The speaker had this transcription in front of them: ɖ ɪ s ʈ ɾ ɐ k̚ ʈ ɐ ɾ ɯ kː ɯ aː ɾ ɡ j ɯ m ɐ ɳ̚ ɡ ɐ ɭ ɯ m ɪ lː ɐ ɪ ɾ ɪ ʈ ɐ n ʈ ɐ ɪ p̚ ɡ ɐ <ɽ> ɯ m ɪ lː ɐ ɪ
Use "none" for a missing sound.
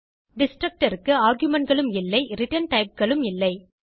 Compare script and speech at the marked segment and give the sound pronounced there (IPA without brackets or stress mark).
ɭ